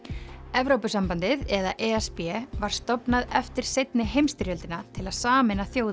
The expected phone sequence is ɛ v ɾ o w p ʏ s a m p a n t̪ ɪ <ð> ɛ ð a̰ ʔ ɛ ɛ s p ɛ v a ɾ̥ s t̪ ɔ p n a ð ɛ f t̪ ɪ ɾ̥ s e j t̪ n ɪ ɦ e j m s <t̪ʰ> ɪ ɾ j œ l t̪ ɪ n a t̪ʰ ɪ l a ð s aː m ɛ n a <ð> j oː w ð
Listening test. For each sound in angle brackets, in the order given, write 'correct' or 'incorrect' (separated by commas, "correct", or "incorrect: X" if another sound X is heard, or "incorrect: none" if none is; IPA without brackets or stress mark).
correct, incorrect: t̪, incorrect: θ